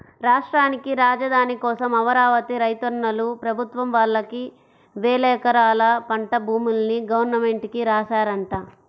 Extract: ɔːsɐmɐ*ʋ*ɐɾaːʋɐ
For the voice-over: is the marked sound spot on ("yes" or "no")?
yes